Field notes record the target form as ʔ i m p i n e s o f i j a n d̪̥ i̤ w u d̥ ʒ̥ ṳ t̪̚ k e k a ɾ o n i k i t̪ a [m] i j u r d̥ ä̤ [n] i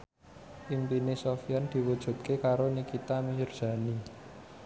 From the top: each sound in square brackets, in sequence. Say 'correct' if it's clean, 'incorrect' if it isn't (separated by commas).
correct, correct